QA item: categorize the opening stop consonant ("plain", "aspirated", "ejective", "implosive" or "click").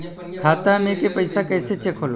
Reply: aspirated